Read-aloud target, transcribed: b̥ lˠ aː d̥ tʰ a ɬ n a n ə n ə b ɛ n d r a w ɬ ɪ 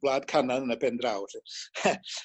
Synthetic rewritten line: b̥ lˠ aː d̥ kʰ a n a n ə n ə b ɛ n d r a w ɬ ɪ